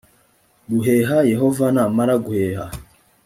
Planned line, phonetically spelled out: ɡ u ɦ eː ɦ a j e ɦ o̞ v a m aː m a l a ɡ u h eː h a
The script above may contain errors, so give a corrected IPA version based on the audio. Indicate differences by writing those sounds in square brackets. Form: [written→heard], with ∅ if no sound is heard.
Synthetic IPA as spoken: ɡ u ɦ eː ɦ a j e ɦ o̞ v a [m→n] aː m a [l→ɾ] a ɡ u h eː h a